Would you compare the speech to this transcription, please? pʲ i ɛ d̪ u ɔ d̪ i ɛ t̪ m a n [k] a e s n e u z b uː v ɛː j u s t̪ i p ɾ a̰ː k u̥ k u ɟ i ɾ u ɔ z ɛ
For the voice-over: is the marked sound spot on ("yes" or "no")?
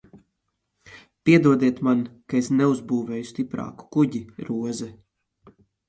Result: yes